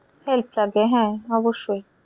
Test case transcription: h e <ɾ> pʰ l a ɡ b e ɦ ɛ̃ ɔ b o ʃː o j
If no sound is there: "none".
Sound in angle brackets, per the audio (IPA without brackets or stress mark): l